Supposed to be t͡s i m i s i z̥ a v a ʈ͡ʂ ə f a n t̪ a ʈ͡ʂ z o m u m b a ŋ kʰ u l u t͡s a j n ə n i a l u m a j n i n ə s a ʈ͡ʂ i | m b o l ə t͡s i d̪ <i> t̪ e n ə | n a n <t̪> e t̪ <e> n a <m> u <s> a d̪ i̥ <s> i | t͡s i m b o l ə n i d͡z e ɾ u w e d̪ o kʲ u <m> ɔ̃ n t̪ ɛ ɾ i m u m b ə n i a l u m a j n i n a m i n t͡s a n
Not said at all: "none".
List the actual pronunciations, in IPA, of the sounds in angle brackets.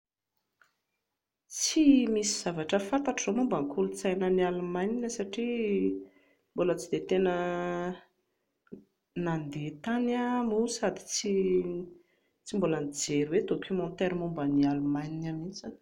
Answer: e, d̪, a, m, s, t͡s, m

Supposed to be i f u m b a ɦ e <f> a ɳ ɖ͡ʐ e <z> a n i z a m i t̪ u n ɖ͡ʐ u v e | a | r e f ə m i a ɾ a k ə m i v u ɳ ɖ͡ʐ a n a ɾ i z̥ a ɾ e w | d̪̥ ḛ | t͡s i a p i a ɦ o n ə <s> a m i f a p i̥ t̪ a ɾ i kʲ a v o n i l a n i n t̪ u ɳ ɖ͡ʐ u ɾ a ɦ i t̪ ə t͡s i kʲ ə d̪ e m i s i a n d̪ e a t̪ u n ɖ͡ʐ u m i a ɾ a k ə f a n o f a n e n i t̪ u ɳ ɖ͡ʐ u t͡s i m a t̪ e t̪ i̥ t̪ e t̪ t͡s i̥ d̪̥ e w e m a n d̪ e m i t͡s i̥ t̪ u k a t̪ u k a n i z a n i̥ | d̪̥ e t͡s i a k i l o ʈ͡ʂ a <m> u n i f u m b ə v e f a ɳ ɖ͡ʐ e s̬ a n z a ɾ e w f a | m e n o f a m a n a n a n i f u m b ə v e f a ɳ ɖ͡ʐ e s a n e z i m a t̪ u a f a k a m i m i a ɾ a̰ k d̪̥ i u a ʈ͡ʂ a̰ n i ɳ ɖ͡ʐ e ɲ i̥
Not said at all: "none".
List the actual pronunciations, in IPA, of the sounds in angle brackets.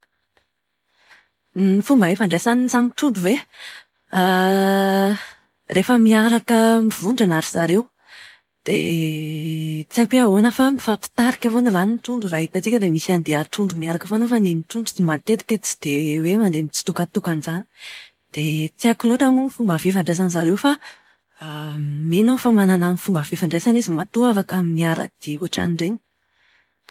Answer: f, s, f, m

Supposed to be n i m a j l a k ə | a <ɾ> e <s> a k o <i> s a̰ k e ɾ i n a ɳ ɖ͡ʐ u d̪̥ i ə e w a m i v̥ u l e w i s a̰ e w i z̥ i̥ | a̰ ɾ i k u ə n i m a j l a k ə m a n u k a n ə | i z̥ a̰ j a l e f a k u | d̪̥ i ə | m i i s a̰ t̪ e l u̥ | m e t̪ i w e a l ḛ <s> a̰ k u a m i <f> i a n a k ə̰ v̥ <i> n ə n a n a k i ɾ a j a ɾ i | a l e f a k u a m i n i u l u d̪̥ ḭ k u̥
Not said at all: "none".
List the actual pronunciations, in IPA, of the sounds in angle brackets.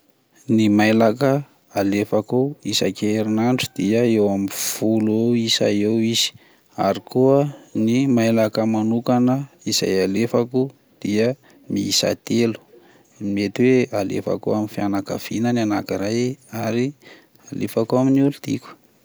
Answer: l, f, i, f, f, i

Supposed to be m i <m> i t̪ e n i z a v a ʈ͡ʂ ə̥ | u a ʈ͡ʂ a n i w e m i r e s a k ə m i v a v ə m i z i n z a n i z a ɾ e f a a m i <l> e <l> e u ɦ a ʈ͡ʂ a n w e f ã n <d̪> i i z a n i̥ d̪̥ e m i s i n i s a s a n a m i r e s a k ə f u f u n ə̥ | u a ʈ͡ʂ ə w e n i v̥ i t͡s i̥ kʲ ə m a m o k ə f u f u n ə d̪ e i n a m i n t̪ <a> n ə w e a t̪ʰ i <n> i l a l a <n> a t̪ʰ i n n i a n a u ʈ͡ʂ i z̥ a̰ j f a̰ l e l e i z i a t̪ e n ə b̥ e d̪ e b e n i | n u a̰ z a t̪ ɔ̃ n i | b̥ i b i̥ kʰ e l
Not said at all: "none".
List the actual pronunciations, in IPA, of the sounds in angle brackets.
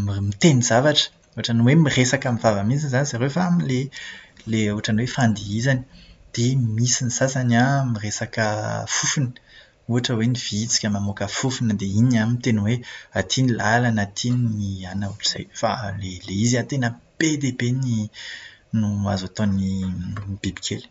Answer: m, l, l, d̪, e, n, n

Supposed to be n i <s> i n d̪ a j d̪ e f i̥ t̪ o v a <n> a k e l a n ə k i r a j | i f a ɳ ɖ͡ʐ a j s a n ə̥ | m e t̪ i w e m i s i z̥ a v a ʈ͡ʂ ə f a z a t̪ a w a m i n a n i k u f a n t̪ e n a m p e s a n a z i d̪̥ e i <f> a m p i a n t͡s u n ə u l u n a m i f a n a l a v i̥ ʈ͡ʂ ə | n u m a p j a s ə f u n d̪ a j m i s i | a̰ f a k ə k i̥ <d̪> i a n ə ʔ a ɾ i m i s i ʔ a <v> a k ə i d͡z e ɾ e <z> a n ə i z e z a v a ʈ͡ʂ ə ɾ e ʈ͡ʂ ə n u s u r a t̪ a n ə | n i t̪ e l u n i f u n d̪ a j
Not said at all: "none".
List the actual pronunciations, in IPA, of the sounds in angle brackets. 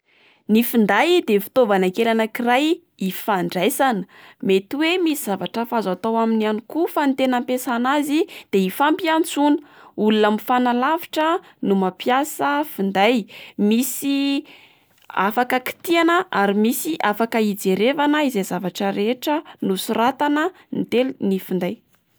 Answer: f, n, f, t̪, f, v

